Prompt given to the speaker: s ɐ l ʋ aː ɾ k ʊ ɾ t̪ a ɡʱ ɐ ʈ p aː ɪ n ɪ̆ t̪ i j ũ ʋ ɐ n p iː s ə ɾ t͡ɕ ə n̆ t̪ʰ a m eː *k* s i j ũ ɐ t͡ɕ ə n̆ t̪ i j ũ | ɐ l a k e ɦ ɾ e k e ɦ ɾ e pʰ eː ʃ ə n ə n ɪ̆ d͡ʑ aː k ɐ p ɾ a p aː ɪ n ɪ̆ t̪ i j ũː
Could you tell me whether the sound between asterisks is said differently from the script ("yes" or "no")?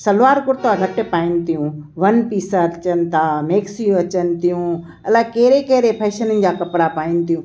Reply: no